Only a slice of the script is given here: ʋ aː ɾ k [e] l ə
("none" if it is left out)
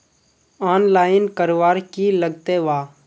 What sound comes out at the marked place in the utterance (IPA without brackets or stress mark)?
i